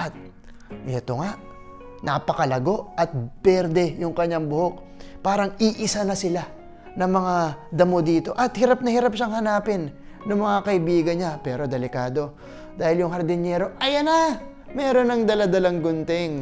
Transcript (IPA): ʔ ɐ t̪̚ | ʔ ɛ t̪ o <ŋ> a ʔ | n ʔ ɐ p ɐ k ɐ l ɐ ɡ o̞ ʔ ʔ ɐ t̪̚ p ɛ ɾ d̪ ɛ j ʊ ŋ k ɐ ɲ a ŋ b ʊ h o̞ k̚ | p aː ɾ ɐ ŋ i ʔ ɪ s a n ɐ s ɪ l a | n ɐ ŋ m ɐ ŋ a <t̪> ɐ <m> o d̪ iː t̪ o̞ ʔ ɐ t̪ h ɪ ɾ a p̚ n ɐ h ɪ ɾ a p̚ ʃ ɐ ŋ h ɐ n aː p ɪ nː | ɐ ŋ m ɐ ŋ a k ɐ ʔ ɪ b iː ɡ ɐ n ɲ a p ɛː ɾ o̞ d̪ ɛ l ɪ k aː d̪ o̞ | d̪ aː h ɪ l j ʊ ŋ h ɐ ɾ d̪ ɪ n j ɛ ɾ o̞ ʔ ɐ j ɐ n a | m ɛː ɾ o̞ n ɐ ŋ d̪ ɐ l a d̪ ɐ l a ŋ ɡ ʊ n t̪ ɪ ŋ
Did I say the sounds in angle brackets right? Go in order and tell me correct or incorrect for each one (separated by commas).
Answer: correct, incorrect, correct